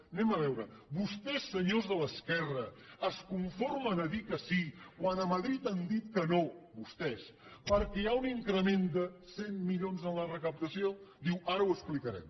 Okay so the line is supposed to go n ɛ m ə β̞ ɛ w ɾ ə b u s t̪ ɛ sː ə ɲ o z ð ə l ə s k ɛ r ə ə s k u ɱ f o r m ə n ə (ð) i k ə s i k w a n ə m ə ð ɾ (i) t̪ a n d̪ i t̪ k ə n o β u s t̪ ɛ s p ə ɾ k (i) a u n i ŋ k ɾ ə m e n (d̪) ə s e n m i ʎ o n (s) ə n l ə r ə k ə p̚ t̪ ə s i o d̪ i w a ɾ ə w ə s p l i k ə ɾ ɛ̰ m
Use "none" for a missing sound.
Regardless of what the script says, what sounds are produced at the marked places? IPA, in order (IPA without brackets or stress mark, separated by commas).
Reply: ð, i, ɛ, d̪, z